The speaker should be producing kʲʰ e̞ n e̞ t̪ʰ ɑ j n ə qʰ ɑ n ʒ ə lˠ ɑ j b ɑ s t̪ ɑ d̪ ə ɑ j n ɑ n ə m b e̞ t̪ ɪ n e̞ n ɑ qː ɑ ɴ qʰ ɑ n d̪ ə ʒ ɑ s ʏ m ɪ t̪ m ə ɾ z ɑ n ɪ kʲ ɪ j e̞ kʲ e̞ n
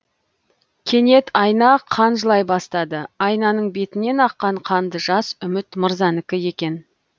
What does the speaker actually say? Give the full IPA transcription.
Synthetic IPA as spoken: kʲʰ e̞ n e̞ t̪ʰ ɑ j n ɑ qʰ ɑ n ʒ ə lˠ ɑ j b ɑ s t̪ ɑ d̪ ə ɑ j n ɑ n ə ɴ b e̞ t̪ ɪ n e̞ n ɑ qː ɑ ɴ qʰ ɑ n d̪ ə ʒ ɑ s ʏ m ɪ t̪ m ə ɾ z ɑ n ɪ kʲ ɪ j e̞ kʲ e̞ n